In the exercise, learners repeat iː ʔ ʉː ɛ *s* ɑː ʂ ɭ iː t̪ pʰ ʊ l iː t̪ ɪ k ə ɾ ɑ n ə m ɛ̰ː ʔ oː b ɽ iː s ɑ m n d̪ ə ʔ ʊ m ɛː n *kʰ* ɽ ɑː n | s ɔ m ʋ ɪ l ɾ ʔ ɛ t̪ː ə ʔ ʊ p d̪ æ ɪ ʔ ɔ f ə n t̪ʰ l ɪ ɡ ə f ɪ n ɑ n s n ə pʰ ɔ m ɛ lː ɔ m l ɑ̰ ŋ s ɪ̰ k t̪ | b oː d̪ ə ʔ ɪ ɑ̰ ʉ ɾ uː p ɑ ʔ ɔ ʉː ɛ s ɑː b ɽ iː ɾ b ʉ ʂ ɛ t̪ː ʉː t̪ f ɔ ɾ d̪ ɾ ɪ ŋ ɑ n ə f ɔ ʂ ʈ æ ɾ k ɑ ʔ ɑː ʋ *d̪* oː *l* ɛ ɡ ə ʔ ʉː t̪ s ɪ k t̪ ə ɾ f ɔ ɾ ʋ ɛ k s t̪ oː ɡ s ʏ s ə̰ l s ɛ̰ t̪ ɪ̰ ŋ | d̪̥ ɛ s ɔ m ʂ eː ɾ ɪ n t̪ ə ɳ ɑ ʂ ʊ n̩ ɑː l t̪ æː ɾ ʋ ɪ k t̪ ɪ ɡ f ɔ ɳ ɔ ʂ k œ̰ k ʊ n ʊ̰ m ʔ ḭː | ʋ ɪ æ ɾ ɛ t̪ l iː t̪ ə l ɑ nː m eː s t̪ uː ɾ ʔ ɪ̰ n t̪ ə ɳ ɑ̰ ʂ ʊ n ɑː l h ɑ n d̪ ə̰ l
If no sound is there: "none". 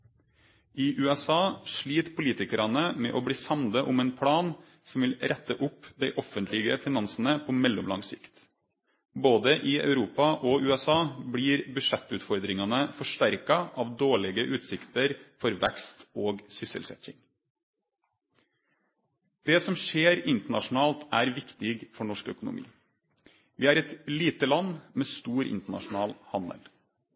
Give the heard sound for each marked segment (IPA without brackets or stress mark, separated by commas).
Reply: s, pʰ, d̪, ɭ